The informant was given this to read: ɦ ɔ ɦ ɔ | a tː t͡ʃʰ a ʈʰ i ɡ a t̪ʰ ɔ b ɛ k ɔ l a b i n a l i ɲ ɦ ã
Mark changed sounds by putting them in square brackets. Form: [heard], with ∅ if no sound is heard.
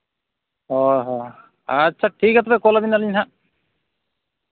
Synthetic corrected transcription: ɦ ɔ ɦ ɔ | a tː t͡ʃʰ a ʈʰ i [k] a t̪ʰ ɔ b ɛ k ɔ l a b i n a l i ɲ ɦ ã